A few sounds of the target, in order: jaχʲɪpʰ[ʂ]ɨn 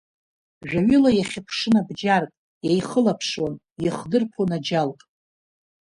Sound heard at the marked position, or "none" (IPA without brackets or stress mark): ʂ